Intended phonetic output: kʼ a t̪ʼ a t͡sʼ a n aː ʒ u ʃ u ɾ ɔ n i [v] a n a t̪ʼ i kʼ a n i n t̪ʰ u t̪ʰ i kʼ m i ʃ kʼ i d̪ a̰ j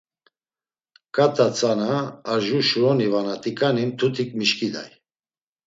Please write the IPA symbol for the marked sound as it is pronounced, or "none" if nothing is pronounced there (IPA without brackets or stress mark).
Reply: v